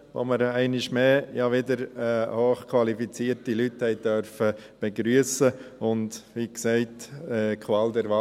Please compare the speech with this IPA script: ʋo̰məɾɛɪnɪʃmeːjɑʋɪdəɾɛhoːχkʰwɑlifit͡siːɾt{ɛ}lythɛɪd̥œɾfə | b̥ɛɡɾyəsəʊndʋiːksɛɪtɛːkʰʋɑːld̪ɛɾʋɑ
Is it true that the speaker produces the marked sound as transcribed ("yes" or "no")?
no